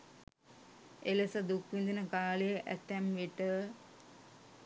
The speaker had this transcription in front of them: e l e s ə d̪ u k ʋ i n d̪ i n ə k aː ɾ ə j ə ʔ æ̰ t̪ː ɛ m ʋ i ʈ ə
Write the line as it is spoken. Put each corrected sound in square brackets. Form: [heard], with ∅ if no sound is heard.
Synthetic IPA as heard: e l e s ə d̪ u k ʋ i n d̪ i n ə k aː [l] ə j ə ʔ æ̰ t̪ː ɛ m ʋ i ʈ ə